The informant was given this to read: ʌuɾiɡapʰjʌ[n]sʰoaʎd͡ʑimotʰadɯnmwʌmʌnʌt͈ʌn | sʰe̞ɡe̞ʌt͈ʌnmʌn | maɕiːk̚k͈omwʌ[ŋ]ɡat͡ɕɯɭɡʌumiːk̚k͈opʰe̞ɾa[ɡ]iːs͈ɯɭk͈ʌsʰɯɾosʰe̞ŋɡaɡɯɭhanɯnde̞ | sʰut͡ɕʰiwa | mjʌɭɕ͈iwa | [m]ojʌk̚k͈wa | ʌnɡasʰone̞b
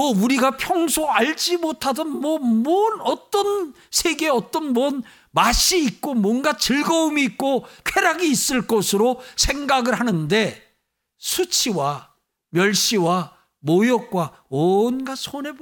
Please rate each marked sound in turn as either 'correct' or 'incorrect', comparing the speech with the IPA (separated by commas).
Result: incorrect, incorrect, correct, correct